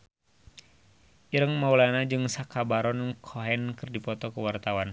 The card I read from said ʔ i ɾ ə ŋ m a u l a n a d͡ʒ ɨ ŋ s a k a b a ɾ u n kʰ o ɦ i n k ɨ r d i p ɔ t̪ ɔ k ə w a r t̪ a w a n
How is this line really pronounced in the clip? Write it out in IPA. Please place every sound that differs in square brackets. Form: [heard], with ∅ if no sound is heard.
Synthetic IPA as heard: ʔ i ɾ ə ŋ m a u l a n a d͡ʒ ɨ ŋ s a k a b a ɾ [ɔ] n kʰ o ɦ [ɛ] n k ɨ r d i p ɔ t̪ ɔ k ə w a r t̪ a w a n